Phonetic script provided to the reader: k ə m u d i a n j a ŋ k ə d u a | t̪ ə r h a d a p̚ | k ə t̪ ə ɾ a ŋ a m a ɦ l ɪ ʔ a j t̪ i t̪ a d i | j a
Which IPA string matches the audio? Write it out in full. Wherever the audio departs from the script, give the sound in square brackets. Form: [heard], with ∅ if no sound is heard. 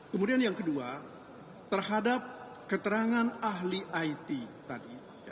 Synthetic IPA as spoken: k ə m u d i a n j a ŋ k ə d u a | t̪ ə r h a d a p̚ | k ə t̪ ə ɾ a ŋ a [n] a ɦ l [i] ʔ a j t̪ i t̪ a d i | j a

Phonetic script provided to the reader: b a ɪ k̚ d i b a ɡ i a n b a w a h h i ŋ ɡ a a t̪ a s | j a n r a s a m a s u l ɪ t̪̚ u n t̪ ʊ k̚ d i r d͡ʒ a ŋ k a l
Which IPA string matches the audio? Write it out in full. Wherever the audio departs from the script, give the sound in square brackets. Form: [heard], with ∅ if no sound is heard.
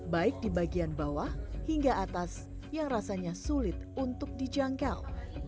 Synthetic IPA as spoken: b a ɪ k̚ d i b a ɡ i a n b a w a h h i ŋ ɡ a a t̪ a s | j a [ŋ] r a s a [ɲ] a s u l ɪ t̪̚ u n t̪ ʊ k̚ d i [∅] d͡ʒ a ŋ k a l

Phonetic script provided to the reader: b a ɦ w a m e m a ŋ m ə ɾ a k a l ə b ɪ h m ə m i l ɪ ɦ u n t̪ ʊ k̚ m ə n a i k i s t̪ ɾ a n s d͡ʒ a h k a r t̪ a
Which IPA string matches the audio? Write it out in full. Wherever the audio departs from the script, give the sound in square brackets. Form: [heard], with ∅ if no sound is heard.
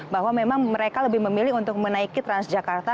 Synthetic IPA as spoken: b a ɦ w a m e m a ŋ m ə ɾ [e] k a l ə b ɪ h m ə m i l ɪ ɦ u n t̪ ʊ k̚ m ə n a i k i [∅] t̪ ɾ a n s d͡ʒ a [∅] k a r t̪ a

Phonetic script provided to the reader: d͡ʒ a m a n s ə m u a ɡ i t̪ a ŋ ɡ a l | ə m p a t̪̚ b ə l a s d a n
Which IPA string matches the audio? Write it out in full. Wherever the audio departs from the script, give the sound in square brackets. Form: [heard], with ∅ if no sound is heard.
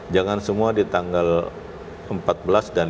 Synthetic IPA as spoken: d͡ʒ a [ŋ] a n s ə m u a [d] i t̪ a ŋ ɡ a l | ə m p a t̪̚ b ə l a s d a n

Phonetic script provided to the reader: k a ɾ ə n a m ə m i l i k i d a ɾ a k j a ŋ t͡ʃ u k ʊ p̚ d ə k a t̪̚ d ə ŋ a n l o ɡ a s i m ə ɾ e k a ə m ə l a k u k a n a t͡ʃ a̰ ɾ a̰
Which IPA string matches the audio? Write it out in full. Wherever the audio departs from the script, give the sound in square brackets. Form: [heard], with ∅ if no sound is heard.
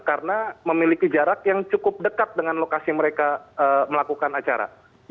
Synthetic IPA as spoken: k a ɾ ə n a m ə m i l i k i [d͡ʒ] a ɾ a k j a ŋ t͡ʃ u k ʊ p̚ d ə k a t̪̚ d ə ŋ a n l o [k] a s i m ə ɾ e k a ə m ə l a k u k a n a t͡ʃ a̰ ɾ a̰

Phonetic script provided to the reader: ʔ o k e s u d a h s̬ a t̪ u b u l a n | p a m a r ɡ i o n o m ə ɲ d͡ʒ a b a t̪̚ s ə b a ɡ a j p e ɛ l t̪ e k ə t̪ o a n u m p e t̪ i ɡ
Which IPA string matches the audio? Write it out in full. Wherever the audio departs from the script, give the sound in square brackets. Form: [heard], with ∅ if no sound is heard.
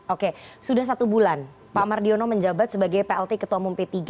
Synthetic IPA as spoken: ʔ o k e s u d a h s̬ a t̪ u b u l a n | p a m a r [d] i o n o m ə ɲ d͡ʒ a b a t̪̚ s ə b a ɡ a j p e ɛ l t̪ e k ə t̪ [u] a [m] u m p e t̪ i ɡ

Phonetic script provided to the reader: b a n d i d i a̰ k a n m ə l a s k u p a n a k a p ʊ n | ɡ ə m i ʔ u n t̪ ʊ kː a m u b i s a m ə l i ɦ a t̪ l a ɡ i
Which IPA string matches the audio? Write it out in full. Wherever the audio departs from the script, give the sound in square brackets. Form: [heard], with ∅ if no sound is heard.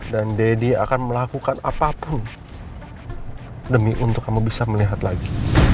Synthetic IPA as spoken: [d] a n d [e] d i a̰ k a n m ə l a [∅] k u [k] a n a [p] a p ʊ n | [d] ə m i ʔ u n t̪ ʊ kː a m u b i s a m ə l i ɦ a t̪ l a ɡ i

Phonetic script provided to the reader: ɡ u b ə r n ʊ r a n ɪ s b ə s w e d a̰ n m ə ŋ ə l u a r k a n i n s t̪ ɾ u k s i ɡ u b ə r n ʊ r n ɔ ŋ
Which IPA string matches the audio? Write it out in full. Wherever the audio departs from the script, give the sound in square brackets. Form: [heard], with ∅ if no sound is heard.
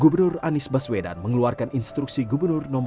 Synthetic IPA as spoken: ɡ u b ə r n ʊ r a n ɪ s b [a] s w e d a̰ n m ə ŋ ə l u a r k a n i n s t̪ ɾ u k s i ɡ u b ə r n ʊ r n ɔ [m]

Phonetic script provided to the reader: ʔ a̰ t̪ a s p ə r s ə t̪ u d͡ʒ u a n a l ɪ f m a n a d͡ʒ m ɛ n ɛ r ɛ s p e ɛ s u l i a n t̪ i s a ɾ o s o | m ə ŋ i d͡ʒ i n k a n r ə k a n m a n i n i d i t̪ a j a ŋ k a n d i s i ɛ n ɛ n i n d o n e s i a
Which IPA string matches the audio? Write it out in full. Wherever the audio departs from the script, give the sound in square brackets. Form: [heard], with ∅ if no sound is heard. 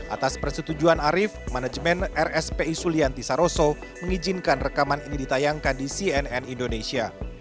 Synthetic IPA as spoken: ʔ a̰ t̪ a s p ə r s ə t̪ u d͡ʒ u a n a [ɾ] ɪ f m a n a d͡ʒ m ɛ n ɛ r ɛ s p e [i] s u l i a n t̪ i s a ɾ o s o | m ə ŋ i d͡ʒ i n k a n r ə k a [∅] m a n i n i d i t̪ a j a ŋ k a n d i s i ɛ n ɛ n i n d o n e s i a

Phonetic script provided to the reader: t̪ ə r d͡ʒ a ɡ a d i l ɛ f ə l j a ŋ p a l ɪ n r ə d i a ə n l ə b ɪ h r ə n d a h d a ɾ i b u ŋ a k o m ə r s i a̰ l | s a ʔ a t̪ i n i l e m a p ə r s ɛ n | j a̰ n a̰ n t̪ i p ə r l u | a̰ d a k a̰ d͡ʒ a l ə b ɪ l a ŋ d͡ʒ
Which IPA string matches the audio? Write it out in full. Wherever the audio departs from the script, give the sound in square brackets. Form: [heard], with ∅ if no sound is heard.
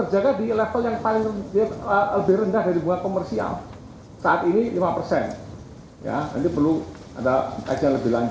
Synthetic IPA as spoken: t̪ ə r d͡ʒ a ɡ a d i l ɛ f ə l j a ŋ p a l ɪ [ŋ] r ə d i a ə [∅] l ə b ɪ h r ə n d a h d a ɾ i b u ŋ a k o m ə r s i a̰ l | s a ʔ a t̪ i n i l [i] m a p ə r s ɛ n | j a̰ n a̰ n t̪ i p ə r l u | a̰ d a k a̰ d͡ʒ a l ə b ɪ l a [ɲ] d͡ʒ

